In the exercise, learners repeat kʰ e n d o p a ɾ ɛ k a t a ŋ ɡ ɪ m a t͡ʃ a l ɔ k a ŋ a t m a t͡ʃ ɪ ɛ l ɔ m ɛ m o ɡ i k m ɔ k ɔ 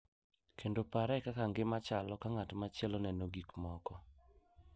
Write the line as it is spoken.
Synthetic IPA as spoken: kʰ e n d o p a ɾ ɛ k a k a ŋ ɡ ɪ m a t͡ʃ a l ɔ k a ŋ a t m a t͡ʃ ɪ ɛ l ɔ n ɛ n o ɡ i k m ɔ k ɔ